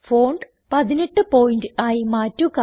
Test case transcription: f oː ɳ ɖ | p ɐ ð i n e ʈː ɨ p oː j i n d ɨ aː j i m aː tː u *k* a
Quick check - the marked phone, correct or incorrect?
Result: correct